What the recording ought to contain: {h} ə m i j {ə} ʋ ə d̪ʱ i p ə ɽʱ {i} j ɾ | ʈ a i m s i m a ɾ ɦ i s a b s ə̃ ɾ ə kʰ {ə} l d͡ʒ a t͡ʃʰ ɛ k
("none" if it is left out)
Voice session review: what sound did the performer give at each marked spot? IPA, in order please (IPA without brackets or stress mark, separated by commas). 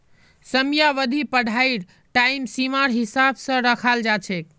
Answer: s, a, a, a